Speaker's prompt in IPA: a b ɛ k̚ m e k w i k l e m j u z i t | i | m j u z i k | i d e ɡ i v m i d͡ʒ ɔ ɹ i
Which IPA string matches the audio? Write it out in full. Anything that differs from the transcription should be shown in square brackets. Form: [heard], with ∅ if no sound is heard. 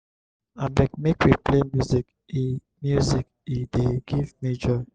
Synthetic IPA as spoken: a b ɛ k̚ m e k w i [p] l e m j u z i [k] | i | m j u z i k | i d e ɡ i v m i d͡ʒ ɔ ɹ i